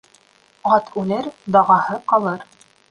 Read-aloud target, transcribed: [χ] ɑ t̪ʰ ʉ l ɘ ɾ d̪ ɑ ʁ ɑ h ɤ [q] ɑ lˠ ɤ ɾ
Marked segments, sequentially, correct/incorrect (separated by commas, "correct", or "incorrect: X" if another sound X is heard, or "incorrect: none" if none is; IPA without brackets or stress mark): incorrect: ʁ, correct